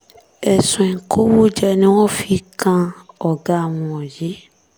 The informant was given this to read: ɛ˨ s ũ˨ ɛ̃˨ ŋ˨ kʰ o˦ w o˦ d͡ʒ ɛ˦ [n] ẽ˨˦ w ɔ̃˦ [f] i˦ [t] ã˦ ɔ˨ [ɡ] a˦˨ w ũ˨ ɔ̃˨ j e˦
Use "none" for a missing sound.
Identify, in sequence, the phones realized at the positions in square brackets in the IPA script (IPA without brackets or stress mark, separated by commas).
n, f, k, ɡ